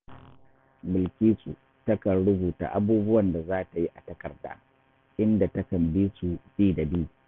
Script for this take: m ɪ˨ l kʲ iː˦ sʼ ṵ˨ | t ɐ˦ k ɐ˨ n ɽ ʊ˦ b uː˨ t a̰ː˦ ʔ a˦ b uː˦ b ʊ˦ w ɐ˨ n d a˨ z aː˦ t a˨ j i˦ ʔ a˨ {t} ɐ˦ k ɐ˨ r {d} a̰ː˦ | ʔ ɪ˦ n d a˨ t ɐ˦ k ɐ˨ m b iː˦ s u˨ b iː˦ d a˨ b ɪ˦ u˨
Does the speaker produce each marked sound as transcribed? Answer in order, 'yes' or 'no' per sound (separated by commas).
yes, yes